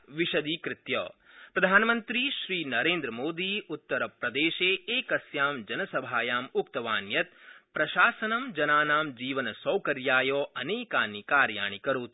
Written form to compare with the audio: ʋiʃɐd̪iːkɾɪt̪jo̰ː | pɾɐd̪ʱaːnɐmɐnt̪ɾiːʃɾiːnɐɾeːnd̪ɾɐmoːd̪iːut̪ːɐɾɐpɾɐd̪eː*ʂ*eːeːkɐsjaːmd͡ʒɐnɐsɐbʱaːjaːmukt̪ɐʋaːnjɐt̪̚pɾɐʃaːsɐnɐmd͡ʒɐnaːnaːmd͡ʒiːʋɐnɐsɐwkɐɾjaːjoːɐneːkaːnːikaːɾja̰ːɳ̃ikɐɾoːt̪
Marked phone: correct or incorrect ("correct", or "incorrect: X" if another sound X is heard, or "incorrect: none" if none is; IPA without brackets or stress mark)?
incorrect: ʃ